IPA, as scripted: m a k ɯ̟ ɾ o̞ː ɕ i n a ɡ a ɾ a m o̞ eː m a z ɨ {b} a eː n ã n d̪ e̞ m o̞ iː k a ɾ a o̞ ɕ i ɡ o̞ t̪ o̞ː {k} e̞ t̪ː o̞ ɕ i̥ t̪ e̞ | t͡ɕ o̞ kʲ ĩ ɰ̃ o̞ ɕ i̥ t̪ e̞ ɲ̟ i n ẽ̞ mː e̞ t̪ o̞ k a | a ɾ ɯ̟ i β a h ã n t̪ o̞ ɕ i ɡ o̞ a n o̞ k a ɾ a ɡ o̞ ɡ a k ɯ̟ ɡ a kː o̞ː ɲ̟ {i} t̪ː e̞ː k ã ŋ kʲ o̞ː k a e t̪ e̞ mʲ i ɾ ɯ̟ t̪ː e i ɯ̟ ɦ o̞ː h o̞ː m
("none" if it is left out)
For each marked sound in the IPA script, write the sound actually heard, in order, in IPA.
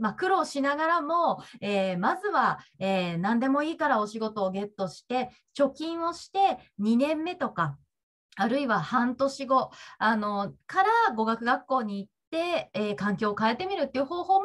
β, ɡ, iː

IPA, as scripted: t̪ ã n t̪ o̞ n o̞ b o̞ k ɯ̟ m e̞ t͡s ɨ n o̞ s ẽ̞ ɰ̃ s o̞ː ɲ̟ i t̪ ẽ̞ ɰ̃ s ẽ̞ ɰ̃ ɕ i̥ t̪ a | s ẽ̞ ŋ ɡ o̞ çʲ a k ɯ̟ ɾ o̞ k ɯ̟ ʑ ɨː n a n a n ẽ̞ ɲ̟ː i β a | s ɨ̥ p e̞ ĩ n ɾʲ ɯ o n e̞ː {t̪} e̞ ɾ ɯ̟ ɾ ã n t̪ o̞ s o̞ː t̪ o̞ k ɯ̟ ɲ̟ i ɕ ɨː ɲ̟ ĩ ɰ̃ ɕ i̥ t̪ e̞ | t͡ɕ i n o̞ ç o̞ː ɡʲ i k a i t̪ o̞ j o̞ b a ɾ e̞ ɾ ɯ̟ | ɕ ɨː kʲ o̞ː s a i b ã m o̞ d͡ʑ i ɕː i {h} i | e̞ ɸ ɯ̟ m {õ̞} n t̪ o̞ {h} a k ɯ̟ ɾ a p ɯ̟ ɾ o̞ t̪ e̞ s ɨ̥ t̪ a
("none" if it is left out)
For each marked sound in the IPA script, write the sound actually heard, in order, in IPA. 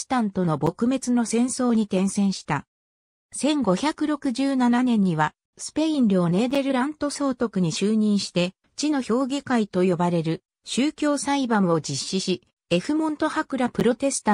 d̪, ɕ, õ̞, h

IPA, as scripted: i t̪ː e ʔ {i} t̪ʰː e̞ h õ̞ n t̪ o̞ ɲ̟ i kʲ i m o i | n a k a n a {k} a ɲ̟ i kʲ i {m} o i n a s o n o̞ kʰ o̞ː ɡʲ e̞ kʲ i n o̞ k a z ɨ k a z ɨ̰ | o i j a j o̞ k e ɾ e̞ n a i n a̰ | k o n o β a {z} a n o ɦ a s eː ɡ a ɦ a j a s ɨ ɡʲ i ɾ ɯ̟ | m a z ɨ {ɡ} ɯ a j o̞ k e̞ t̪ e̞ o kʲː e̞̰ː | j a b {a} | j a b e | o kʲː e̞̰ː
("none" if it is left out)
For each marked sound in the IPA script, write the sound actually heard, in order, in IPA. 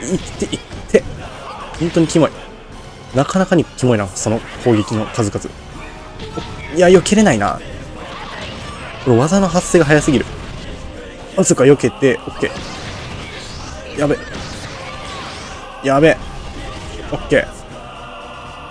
i, k, m, z, k, e

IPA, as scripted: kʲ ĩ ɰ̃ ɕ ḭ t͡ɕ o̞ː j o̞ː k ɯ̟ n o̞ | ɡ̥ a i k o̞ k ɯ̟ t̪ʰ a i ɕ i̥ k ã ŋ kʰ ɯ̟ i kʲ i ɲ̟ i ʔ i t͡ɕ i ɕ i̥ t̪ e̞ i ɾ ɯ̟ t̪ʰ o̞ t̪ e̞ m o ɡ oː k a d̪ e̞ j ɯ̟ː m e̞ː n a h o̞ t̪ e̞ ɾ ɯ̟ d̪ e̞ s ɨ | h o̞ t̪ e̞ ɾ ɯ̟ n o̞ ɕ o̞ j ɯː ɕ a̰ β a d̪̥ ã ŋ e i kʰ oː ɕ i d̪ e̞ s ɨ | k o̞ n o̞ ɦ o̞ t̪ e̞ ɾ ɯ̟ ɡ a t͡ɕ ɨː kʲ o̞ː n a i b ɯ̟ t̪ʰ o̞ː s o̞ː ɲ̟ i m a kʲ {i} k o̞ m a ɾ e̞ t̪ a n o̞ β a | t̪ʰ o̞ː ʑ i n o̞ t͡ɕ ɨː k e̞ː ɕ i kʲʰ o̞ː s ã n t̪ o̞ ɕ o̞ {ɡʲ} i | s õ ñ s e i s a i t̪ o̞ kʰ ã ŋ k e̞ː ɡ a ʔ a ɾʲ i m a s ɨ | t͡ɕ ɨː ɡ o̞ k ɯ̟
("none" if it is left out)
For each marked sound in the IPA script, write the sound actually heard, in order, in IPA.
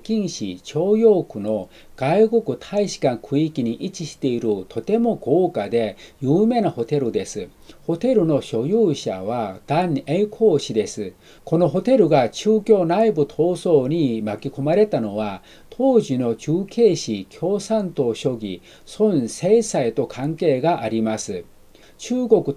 i, ɡʲ

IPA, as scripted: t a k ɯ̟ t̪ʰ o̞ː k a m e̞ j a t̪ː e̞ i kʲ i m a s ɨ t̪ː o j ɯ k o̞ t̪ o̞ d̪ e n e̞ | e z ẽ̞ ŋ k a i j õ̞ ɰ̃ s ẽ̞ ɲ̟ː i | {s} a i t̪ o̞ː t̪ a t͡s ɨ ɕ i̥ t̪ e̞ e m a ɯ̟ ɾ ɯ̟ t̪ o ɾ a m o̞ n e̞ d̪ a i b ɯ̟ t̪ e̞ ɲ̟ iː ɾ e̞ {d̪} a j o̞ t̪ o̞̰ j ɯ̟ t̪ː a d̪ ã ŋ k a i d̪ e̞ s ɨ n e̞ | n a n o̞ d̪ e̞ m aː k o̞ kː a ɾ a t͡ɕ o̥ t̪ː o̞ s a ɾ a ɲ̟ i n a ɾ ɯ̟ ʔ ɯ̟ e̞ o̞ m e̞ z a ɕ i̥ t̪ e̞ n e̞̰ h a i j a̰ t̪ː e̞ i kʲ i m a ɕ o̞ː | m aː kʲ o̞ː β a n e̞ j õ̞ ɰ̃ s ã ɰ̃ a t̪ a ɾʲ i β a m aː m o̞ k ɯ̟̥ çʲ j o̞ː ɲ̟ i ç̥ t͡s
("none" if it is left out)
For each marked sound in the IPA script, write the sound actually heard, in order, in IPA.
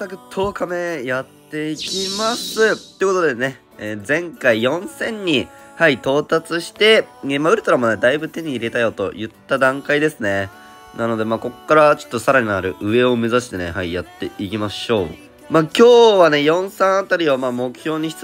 h, t̪

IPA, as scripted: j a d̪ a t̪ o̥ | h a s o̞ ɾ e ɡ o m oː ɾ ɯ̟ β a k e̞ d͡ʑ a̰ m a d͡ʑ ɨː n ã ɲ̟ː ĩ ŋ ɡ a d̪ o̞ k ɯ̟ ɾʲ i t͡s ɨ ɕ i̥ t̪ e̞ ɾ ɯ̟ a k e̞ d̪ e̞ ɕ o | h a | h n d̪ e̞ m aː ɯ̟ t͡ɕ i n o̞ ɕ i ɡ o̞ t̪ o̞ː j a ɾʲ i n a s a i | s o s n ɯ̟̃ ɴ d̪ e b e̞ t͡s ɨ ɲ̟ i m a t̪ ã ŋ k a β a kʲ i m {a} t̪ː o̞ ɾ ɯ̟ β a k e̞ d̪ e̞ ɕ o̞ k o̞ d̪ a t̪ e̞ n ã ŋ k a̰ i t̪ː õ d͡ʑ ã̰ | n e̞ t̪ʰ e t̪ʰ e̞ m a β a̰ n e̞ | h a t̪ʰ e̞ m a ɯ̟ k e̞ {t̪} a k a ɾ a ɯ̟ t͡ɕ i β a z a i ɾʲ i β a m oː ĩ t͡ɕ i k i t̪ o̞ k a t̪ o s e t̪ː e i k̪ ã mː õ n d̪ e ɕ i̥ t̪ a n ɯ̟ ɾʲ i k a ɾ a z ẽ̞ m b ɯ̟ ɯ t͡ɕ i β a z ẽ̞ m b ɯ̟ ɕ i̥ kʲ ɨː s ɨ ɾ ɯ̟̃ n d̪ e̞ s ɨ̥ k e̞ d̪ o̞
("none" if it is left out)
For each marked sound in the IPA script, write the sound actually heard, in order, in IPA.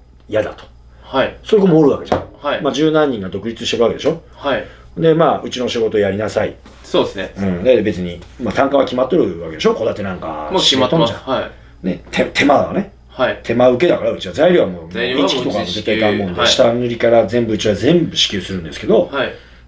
a, d̪

